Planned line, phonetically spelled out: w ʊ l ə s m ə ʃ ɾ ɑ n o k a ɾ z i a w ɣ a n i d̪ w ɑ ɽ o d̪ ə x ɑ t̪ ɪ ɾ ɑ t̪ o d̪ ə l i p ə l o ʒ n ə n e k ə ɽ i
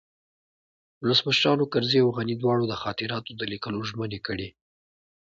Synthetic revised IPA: w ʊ l ə s m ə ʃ ɾ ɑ n o k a ɾ z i a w ɣ a n i d̪ w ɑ ɽ o d̪ ə x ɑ t̪ ɪ ɾ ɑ t̪ o d̪ ə l i k ə l o ʒ m ə n e k ə ɽ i